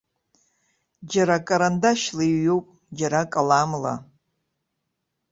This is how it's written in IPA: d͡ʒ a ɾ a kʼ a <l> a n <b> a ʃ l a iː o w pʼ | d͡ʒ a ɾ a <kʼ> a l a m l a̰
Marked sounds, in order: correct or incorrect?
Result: incorrect: ɾ, incorrect: d, correct

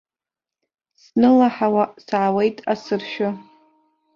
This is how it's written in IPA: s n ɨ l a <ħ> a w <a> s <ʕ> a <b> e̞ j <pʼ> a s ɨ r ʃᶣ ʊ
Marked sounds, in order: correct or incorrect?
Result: correct, correct, correct, incorrect: w, incorrect: tʼ

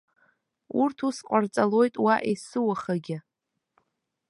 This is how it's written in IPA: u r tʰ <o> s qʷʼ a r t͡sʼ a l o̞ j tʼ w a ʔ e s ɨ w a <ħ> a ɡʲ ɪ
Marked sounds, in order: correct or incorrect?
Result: incorrect: u, incorrect: χ

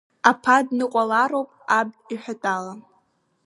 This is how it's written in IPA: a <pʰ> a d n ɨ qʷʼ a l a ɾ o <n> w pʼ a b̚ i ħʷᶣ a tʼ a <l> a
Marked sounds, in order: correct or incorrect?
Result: correct, incorrect: none, correct

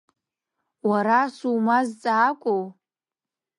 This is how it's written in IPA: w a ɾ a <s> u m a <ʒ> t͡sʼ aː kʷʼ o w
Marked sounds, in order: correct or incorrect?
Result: correct, incorrect: z

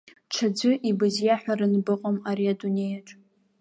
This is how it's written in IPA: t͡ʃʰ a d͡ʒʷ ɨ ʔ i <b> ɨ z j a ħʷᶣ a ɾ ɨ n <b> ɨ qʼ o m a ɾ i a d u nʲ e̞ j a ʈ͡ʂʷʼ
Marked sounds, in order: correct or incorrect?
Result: correct, correct

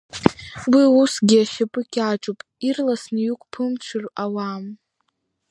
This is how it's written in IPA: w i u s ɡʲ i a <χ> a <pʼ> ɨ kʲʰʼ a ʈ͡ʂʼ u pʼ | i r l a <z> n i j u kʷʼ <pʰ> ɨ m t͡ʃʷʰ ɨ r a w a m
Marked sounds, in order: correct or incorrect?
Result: incorrect: ʃ, correct, incorrect: s, correct

